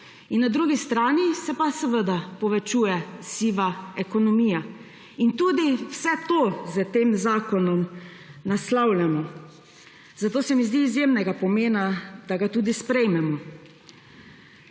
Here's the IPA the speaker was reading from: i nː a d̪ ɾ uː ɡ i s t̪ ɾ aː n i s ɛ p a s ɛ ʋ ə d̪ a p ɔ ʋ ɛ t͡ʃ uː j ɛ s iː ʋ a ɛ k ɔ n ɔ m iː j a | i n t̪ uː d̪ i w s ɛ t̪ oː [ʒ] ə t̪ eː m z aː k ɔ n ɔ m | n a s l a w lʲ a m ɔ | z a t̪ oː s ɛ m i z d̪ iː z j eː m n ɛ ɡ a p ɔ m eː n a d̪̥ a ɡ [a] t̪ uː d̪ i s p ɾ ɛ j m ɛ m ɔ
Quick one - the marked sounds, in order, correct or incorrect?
incorrect, correct

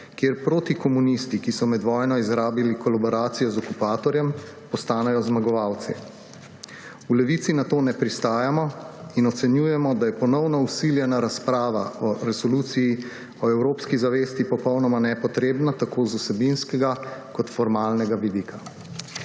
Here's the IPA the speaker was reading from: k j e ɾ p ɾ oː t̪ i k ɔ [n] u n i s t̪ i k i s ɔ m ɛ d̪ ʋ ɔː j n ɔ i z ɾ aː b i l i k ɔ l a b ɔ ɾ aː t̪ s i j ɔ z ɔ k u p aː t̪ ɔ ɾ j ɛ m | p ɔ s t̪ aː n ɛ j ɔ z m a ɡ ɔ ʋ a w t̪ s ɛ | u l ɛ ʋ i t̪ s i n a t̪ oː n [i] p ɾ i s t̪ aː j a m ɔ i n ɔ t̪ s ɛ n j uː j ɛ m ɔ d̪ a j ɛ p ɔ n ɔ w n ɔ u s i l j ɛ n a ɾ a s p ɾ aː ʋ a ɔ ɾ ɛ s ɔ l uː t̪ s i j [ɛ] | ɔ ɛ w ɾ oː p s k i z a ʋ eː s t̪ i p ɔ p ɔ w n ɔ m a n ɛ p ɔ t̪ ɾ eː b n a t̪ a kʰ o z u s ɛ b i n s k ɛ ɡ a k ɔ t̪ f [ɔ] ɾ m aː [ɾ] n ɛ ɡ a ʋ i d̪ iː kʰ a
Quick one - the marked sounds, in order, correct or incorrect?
incorrect, incorrect, incorrect, correct, incorrect

